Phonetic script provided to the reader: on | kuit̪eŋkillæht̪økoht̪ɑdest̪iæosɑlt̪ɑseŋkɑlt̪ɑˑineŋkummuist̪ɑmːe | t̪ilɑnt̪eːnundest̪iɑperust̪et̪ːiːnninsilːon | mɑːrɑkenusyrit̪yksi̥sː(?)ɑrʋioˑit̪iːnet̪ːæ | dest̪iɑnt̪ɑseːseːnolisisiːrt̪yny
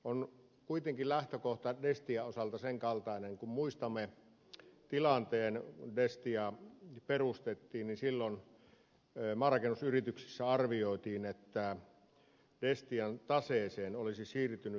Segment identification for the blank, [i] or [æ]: æ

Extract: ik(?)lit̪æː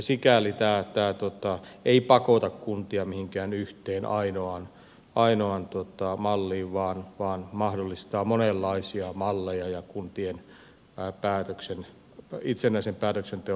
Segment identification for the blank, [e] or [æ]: æ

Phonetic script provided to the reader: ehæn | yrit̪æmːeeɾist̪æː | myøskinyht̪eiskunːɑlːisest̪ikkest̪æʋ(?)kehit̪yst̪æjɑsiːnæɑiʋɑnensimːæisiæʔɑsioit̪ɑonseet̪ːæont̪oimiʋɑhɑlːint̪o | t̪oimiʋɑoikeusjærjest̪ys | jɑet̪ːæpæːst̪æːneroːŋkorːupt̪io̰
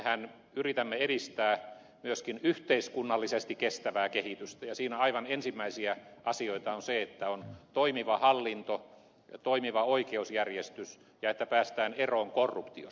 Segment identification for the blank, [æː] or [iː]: æː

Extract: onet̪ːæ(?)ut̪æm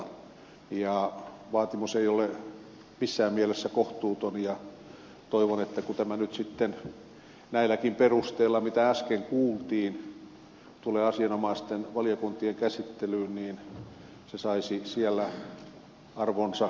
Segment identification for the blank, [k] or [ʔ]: k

